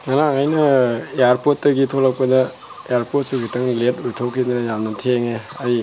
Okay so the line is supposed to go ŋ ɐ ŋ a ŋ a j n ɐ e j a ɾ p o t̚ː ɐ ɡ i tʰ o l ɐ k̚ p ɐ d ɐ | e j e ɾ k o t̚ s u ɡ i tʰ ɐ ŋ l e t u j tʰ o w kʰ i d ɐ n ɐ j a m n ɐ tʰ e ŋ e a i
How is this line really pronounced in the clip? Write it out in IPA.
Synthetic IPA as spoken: ŋ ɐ n a ŋ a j n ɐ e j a ɾ p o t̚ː ɐ ɡ i tʰ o l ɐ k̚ p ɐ d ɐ | e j a ɾ p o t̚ s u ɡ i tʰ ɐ ŋ l e t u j tʰ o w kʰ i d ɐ n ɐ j a m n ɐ tʰ e ŋ e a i